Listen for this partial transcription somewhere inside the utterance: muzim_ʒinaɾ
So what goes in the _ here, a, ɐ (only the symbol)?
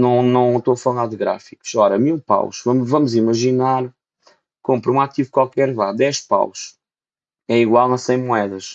ɐ